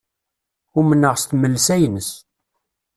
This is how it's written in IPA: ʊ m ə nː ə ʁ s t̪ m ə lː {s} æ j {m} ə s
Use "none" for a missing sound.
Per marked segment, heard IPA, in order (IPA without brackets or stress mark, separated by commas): s, n